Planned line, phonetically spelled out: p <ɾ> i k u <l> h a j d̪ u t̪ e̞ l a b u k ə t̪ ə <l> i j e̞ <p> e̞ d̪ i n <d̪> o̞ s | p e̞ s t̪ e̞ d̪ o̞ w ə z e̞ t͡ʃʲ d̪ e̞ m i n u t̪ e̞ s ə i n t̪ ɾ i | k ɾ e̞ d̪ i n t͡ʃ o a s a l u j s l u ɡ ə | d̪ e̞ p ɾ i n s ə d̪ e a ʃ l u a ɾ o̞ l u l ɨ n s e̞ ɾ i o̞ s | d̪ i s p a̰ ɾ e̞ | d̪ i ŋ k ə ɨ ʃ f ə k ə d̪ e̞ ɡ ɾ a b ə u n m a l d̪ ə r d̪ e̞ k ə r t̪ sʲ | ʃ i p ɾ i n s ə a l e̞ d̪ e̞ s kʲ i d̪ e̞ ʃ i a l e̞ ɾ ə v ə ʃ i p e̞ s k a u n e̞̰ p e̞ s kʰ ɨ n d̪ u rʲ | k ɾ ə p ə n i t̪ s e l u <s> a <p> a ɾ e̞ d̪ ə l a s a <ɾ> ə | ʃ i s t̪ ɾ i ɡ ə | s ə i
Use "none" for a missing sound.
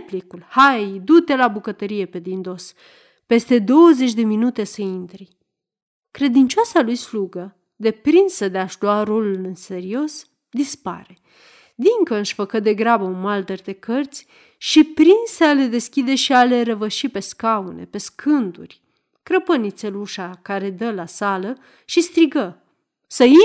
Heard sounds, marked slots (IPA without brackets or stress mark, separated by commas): l, l, ɾ, p, d̪, ʃ, k, l